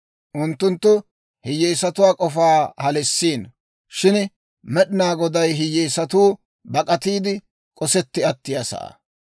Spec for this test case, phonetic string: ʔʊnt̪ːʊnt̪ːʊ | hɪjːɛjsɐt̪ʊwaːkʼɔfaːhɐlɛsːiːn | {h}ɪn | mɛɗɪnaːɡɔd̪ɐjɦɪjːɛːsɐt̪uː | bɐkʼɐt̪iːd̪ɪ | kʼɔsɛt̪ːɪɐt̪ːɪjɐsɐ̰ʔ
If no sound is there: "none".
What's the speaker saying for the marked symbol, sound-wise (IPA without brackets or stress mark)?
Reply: ʃ